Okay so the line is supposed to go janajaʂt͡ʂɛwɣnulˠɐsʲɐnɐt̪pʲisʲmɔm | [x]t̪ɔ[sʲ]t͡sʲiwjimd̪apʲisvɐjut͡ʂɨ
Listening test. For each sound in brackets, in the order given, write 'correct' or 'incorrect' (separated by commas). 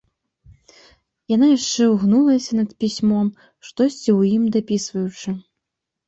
incorrect, correct